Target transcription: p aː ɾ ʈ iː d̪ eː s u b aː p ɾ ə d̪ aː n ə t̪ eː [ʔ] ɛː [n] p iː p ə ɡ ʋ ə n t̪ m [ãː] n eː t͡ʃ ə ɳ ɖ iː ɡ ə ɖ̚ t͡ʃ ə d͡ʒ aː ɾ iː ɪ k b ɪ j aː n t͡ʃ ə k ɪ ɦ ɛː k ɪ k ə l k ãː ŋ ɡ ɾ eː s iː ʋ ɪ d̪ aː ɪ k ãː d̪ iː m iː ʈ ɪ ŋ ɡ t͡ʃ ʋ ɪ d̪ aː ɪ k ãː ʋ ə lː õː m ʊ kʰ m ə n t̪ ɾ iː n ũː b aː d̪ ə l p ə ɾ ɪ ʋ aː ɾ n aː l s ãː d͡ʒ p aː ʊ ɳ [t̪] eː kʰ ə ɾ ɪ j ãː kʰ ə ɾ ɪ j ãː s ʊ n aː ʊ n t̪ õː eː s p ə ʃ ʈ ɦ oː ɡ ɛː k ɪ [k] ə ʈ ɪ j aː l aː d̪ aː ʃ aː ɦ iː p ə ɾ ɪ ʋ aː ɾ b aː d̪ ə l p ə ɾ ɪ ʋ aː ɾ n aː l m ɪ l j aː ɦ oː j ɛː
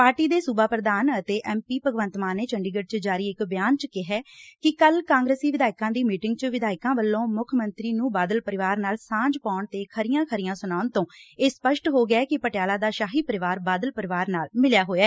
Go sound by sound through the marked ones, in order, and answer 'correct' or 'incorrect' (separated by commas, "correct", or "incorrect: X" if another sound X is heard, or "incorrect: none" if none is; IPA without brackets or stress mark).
correct, incorrect: m, incorrect: aː, correct, incorrect: p